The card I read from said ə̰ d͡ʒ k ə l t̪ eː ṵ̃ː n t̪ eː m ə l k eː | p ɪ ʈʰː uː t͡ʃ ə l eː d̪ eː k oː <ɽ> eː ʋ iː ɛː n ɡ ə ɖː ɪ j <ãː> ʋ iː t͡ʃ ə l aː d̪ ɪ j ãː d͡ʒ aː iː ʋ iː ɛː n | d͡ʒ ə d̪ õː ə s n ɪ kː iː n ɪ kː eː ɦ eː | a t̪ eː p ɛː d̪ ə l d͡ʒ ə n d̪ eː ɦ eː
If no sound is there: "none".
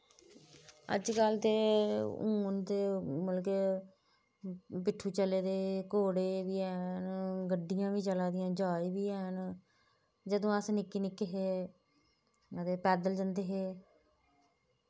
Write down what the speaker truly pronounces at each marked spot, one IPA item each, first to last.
ɽ, ãː

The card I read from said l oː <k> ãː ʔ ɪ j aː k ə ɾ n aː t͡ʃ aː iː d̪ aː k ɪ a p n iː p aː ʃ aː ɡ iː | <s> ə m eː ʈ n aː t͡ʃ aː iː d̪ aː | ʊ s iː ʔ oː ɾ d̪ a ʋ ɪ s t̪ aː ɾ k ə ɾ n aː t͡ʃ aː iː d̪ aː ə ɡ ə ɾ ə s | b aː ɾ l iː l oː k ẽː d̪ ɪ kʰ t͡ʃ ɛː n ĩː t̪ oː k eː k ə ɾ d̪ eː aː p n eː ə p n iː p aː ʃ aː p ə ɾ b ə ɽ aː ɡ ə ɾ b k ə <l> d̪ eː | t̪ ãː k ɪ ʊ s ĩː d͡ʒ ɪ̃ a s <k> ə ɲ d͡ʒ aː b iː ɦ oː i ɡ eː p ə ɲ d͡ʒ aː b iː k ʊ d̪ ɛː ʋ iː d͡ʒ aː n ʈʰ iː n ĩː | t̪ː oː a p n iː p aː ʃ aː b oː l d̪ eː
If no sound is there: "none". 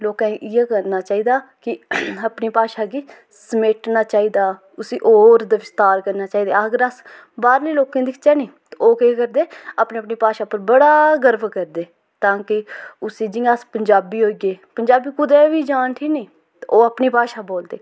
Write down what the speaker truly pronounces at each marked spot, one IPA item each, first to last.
k, s, ɾ, p

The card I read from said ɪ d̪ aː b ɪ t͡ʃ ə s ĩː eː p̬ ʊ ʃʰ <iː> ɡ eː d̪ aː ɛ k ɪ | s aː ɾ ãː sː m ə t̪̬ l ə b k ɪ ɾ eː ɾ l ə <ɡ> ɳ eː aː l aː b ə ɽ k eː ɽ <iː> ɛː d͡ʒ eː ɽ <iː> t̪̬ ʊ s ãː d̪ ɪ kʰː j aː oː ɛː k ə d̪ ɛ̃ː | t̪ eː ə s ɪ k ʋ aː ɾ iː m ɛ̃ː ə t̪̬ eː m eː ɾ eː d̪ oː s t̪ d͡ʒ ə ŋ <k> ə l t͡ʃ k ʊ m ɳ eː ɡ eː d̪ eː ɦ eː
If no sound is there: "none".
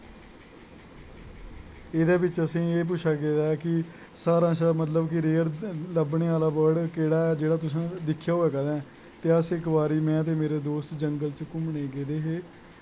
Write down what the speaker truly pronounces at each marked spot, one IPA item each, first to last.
aː, b, aː, aː, ɡ

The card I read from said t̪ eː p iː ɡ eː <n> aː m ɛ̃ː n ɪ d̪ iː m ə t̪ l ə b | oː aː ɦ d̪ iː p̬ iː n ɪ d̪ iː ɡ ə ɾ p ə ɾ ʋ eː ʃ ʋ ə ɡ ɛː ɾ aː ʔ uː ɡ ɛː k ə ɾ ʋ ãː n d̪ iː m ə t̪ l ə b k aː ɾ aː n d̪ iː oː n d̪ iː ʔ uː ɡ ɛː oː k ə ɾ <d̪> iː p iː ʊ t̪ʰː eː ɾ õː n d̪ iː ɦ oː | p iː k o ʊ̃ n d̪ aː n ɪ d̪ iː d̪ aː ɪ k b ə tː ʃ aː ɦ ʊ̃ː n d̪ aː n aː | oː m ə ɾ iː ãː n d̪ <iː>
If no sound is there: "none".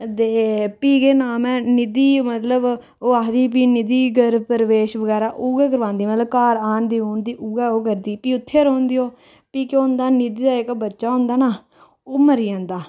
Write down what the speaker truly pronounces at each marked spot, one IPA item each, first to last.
n, d̪, aː

